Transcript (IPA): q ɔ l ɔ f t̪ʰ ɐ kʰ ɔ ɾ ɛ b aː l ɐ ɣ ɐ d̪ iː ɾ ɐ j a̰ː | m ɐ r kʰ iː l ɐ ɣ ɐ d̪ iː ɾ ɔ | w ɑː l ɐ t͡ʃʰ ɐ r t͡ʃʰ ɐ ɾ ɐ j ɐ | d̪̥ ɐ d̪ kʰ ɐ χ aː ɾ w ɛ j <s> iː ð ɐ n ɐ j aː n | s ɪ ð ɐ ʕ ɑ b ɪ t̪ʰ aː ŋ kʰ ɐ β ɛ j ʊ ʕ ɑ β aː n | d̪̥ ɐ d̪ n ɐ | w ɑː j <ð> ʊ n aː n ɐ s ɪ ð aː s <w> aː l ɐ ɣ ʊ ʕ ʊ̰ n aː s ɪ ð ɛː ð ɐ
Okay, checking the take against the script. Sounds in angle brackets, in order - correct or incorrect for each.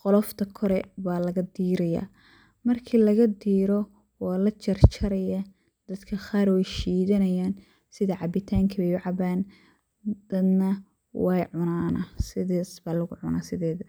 incorrect: ʃ, incorrect: ʕ, incorrect: b

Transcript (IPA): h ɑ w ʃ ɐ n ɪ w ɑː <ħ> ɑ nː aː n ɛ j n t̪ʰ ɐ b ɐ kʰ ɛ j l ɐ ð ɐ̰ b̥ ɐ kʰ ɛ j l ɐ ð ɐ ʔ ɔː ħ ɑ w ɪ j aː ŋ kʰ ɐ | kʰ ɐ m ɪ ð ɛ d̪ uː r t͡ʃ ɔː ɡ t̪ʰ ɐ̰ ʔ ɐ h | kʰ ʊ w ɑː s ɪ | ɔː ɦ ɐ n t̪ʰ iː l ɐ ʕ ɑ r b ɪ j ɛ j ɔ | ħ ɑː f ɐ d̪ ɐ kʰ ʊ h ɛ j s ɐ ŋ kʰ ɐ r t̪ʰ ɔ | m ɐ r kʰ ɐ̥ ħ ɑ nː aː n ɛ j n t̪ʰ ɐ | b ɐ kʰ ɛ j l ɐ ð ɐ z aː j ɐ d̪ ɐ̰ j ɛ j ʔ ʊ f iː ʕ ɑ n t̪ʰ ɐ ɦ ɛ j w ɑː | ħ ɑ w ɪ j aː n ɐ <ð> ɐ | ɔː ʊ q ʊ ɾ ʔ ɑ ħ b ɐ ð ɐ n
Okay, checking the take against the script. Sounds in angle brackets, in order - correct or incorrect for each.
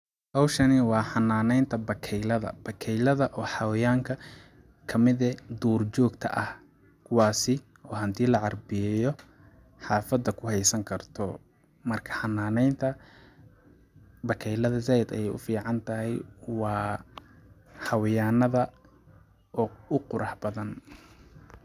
correct, correct

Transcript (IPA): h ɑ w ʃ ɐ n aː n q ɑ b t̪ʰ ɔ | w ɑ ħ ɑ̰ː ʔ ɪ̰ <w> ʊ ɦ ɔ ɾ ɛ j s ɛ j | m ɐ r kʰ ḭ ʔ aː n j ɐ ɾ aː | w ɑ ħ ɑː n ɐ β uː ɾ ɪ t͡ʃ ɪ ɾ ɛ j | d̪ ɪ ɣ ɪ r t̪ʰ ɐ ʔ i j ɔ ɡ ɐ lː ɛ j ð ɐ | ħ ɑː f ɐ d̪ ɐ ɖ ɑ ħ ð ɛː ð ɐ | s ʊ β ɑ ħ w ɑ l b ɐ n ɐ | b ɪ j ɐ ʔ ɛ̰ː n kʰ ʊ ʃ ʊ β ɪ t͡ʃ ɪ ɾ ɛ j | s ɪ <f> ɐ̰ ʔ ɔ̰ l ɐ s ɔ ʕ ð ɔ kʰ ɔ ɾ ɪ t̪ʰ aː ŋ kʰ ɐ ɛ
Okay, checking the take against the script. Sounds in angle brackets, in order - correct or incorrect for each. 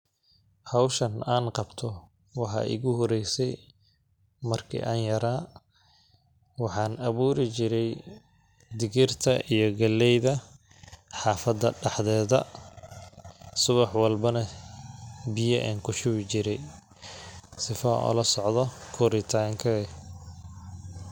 incorrect: ɣ, correct

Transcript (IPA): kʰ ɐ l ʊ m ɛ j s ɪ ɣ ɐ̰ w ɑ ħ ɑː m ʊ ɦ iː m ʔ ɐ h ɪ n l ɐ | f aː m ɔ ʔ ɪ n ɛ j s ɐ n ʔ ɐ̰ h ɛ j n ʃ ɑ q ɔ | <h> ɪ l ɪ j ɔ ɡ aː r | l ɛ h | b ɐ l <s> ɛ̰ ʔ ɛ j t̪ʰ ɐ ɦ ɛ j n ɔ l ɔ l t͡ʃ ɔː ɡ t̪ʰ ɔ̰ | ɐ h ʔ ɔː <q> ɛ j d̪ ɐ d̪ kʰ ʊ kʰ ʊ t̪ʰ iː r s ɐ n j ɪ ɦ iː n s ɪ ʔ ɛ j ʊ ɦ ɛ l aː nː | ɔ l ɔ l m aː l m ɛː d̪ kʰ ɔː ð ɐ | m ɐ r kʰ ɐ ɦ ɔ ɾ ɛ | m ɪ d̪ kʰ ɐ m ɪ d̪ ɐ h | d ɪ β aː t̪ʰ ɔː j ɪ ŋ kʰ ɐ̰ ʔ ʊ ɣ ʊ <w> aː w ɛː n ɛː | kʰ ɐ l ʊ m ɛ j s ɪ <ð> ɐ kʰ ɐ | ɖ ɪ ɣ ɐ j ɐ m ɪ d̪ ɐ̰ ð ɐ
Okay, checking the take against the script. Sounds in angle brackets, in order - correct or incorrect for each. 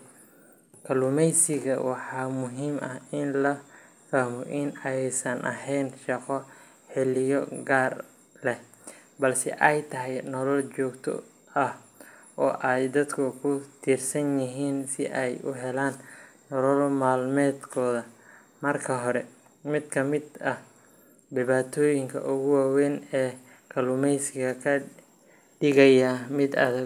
incorrect: ħ, correct, incorrect: ʔ, correct, incorrect: ɣ

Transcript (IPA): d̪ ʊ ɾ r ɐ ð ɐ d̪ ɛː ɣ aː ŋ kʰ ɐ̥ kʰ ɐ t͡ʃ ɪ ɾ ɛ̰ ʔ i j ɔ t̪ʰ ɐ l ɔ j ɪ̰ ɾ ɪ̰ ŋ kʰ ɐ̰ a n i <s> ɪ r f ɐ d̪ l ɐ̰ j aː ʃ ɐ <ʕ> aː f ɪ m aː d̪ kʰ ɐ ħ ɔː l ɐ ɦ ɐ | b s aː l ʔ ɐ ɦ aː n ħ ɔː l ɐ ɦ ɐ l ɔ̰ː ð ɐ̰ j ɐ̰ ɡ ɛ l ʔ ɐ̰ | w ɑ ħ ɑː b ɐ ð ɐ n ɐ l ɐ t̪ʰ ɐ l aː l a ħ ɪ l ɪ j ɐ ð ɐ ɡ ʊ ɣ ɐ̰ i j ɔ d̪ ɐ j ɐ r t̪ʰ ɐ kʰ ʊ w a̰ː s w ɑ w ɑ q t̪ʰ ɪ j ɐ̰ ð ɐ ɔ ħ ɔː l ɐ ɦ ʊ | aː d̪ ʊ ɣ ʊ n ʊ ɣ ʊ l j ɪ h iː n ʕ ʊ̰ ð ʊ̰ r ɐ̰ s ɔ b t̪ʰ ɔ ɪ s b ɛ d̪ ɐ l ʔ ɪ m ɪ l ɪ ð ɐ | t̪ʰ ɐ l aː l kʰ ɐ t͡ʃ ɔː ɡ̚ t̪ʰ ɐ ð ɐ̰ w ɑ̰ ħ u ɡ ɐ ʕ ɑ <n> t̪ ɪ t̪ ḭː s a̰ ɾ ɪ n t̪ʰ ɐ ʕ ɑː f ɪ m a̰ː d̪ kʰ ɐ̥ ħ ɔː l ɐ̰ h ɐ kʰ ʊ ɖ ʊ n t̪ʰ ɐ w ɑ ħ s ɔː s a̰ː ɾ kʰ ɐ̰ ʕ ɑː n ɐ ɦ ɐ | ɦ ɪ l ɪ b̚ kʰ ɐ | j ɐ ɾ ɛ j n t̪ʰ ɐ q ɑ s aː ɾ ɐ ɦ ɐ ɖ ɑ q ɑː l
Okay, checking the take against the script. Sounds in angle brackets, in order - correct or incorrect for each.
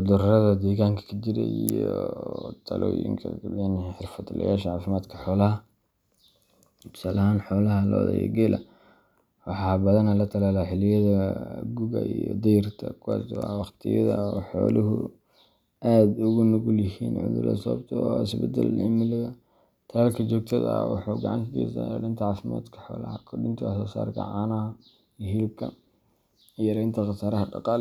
incorrect: ħ, correct, correct

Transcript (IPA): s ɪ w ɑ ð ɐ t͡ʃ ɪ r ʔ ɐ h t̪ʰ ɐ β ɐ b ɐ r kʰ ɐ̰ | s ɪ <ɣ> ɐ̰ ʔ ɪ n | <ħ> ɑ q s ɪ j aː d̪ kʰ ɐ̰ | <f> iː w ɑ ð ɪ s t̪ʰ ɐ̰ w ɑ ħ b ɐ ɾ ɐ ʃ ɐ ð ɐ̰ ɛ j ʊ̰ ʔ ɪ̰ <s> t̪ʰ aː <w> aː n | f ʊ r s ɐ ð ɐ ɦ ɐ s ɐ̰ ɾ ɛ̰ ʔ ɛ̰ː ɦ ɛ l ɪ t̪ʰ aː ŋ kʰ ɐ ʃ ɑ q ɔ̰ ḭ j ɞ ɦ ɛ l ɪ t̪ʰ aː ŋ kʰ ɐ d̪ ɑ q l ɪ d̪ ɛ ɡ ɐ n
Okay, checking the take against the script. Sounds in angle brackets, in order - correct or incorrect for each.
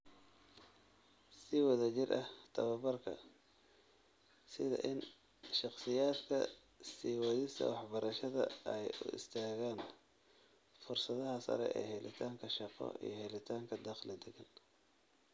incorrect: ð, incorrect: ʃ, incorrect: s, correct, incorrect: ɣ

